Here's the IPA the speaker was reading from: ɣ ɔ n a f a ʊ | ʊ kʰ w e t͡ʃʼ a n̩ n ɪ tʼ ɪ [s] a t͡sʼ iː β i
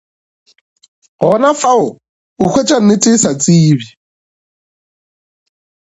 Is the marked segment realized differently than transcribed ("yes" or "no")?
no